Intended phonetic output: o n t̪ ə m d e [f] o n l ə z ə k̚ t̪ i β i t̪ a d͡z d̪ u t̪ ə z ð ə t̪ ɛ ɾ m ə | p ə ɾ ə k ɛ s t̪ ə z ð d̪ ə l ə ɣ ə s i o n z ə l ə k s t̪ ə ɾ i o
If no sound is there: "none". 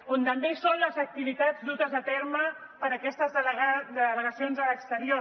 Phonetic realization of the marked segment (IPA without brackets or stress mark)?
s